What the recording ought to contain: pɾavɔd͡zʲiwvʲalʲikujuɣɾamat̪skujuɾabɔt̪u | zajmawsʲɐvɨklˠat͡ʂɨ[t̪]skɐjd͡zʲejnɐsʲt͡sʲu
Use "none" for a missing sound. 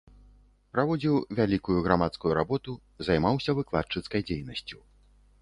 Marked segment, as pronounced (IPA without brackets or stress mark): t̪